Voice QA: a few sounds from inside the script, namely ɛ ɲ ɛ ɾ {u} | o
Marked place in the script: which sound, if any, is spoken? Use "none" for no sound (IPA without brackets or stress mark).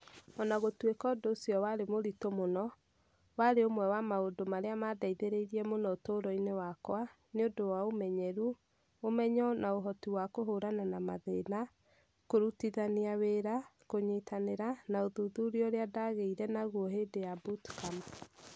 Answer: u